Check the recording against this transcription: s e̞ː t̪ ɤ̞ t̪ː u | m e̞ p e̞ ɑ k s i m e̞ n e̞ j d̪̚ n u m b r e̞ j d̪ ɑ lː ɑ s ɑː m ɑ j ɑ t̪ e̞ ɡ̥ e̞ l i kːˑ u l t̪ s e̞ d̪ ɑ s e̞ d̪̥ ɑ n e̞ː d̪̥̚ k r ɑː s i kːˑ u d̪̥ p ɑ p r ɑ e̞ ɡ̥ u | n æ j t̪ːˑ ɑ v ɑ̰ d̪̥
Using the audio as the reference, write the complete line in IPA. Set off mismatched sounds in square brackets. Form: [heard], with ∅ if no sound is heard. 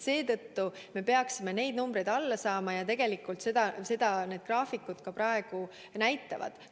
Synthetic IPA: s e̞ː t̪ ɤ̞ t̪ː u | m e̞ p e̞ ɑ k s i m e̞ n e̞ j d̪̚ n u m b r e̞ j d̪ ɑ lː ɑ s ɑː m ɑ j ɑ t̪ e̞ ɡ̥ e̞ l i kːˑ u l t̪ s e̞ d̪ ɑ s e̞ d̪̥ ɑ n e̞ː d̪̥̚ k r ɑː [f] i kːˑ u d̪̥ [k] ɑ p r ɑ e̞ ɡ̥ u | n æ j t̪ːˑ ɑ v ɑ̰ d̪̥